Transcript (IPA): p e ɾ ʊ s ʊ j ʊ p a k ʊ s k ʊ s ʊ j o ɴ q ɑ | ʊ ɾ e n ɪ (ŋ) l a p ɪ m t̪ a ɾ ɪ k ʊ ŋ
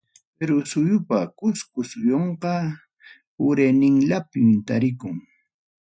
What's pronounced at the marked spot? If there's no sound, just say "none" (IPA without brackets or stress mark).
ŋ